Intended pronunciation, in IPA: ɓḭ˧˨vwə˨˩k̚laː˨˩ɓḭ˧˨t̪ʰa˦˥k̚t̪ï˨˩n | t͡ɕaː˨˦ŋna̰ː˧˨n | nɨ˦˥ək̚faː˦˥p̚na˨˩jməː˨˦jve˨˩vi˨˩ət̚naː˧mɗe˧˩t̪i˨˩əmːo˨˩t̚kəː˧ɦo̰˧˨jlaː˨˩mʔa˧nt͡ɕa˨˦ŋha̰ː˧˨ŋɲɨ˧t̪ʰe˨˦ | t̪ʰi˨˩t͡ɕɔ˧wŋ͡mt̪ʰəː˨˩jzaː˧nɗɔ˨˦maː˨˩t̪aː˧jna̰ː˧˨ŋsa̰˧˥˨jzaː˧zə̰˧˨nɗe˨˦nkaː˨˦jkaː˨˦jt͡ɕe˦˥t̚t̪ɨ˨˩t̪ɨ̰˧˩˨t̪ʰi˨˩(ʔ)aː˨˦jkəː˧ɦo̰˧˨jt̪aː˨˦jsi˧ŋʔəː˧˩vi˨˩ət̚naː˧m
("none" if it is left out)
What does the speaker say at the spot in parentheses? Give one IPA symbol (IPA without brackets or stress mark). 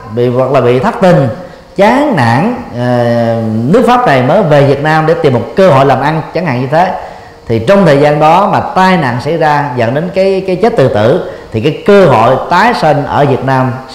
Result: k